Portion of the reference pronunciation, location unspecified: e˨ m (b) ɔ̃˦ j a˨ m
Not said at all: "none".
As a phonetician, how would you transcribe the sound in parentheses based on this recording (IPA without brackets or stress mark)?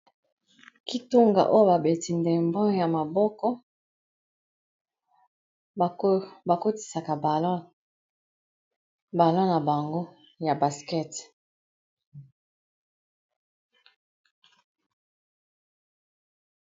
b